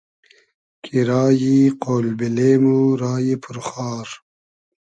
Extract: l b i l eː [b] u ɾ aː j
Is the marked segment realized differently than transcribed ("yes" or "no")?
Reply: yes